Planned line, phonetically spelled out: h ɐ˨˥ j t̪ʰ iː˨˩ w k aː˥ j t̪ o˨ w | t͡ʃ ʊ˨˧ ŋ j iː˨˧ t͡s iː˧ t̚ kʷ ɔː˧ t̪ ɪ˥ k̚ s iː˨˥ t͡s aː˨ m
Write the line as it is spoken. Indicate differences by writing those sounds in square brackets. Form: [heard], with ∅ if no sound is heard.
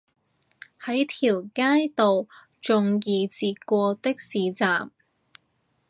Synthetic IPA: h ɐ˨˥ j t̪ʰ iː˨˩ w k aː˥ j t̪ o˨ w | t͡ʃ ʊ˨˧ ŋ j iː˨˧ t͡s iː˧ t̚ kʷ ɔː˧ t̪ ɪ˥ k̚ s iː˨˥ t͡s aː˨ m

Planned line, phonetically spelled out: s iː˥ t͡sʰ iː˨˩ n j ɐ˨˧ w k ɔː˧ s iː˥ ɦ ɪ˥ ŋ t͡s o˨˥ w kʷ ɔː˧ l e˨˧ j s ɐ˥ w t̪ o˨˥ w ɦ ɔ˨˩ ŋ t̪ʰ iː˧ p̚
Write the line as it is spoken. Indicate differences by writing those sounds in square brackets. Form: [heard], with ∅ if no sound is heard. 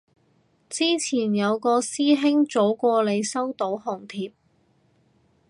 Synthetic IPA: [t͡s] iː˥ t͡sʰ iː˨˩ n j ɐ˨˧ w k ɔː˧ s iː˥ ɦ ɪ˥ ŋ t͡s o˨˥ w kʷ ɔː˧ l e˨˧ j s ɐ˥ w t̪ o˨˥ w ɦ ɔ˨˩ ŋ t̪ʰ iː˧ p̚

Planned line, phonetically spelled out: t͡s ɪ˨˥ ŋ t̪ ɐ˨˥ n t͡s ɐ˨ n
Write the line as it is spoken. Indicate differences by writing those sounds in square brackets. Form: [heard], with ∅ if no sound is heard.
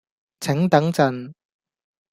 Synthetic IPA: [t͡sʰ] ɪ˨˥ ŋ t̪ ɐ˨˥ [ŋ] t͡s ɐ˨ n

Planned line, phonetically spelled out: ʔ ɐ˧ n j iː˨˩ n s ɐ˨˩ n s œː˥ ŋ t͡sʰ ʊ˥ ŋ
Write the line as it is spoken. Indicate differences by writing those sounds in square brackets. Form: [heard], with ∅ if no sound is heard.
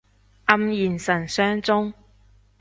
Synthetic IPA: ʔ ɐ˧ [m] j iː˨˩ n s ɐ˨˩ n s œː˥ ŋ [t͡s] ʊ˥ ŋ

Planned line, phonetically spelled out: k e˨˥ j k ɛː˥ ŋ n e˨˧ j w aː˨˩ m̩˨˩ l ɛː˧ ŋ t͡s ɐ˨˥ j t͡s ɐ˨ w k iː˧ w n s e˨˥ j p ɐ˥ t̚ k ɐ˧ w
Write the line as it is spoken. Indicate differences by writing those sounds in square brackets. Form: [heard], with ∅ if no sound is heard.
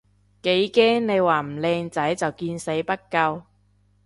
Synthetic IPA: k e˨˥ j k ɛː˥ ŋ n e˨˧ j w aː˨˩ m̩˨˩ l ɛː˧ ŋ t͡s ɐ˨˥ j t͡s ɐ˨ w k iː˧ [∅] n s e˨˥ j p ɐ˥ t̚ k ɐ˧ w

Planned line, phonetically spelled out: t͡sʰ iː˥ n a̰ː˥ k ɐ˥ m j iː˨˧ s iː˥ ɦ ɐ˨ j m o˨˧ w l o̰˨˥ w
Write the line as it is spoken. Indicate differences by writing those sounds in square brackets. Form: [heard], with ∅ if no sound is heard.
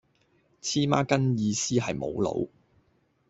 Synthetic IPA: t͡sʰ iː˥ [m] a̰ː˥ k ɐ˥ [n] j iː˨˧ s iː˥ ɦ ɐ˨ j m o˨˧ w l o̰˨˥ w

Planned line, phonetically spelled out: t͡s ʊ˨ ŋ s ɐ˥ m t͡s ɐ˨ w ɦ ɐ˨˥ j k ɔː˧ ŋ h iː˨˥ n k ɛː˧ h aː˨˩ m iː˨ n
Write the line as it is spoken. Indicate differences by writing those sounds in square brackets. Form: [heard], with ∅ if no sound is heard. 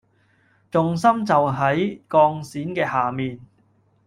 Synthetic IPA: t͡s ʊ˨ ŋ s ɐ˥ m t͡s ɐ˨ w ɦ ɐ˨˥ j k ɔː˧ ŋ [s] iː˨˥ n k ɛː˧ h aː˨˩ m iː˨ n

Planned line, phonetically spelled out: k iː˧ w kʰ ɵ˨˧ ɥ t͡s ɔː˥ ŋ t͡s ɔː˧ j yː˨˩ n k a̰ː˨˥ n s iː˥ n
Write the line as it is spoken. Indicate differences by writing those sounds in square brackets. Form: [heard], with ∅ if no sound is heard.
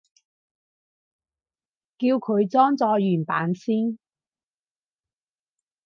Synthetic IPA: k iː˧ w kʰ ɵ˨˧ ɥ t͡s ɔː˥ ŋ t͡s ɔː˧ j yː˨˩ n [p] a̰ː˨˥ n s iː˥ n

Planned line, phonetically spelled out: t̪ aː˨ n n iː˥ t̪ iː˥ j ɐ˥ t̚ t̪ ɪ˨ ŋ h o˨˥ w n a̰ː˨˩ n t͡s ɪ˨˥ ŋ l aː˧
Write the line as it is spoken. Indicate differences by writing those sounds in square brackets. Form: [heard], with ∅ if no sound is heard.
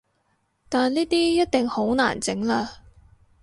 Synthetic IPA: t̪ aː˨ n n iː˥ t̪ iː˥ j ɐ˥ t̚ t̪ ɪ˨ ŋ h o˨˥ w n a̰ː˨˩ n t͡s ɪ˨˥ ŋ l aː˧

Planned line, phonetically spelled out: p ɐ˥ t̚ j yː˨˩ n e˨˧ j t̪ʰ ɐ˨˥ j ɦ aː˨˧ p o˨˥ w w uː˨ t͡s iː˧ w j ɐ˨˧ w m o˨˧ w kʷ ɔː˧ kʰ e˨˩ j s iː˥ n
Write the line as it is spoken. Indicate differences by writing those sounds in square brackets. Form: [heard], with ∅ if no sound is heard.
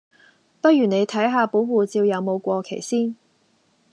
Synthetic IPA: p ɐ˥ t̚ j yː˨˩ n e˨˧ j t̪ʰ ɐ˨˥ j ɦ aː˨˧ p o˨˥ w w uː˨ t͡s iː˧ w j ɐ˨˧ w m o˨˧ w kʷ ɔː˧ kʰ e˨˩ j s iː˥ n

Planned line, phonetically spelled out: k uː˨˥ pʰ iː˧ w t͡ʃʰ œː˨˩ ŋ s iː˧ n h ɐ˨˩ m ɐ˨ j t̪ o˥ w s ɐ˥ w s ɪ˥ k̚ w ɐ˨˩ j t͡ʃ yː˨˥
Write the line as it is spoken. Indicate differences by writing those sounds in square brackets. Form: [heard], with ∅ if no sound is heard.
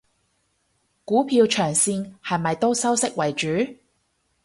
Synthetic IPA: k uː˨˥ pʰ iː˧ w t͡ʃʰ œː˨˩ ŋ s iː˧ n h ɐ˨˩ m ɐ˨ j t̪ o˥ w s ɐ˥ w s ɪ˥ k̚ w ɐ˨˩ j t͡ʃ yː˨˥

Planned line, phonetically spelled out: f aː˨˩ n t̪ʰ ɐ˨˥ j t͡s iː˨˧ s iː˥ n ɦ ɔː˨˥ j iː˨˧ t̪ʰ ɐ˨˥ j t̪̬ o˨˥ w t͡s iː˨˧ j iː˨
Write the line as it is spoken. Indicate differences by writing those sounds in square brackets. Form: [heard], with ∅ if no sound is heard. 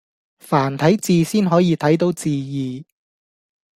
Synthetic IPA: f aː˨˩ n t̪ʰ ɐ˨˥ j t͡s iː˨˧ s iː˥ n ɦ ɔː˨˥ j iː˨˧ t̪ʰ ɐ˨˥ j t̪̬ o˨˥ w t͡s iː˨˧ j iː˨

